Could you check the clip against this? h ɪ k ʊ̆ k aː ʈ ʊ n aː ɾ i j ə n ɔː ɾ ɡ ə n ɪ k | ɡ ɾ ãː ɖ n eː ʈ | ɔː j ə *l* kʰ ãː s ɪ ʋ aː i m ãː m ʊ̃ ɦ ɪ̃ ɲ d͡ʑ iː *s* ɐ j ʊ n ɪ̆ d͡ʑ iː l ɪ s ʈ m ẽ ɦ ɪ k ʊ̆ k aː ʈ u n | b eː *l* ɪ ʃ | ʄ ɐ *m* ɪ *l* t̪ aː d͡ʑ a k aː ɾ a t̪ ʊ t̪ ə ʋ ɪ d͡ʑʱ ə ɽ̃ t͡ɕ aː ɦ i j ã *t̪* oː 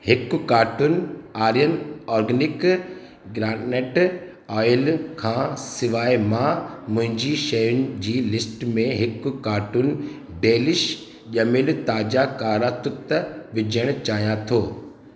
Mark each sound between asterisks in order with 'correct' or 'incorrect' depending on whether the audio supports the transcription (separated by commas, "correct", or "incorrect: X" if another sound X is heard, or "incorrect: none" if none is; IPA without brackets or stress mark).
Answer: correct, incorrect: ʃ, correct, correct, correct, incorrect: t̪ʰ